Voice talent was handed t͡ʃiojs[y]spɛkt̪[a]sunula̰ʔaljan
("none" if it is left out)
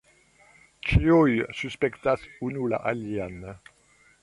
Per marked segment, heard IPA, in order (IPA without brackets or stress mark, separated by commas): y, a